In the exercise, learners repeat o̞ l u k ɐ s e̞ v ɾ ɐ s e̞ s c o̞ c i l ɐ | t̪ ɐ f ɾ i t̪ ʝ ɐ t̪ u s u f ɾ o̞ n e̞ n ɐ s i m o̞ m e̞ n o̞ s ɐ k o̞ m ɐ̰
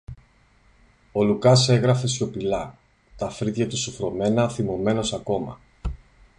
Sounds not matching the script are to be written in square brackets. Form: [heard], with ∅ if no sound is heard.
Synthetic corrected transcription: o̞ l u k ɐ s e̞ [ɣ] ɾ ɐ [f] e̞ s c o̞ [p] i l ɐ | t̪ ɐ f ɾ i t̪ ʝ ɐ t̪ u s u f ɾ o̞ [m] e̞ n ɐ [θ] i m o̞ m e̞ n o̞ s ɐ k o̞ m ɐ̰